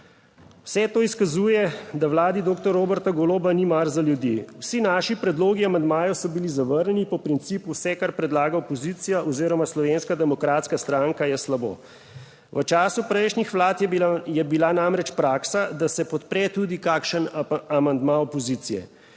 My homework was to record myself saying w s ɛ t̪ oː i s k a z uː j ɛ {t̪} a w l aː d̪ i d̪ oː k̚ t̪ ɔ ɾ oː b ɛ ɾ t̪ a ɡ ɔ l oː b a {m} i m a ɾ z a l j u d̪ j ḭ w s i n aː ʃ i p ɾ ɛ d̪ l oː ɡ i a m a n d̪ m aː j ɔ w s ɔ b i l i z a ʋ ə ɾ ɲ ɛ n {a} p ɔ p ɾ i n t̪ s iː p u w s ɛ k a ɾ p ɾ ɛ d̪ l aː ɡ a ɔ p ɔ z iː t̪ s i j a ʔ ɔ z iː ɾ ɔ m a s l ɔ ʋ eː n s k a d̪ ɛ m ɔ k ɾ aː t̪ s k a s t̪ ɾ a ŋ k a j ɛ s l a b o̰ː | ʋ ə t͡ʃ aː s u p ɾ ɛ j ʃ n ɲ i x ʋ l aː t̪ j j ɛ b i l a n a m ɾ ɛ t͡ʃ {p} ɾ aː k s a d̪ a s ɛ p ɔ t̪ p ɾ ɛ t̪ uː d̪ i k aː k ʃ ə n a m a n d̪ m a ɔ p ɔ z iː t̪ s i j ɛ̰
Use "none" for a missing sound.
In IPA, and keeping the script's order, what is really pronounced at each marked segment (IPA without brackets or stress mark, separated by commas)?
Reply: d̪, n, i, p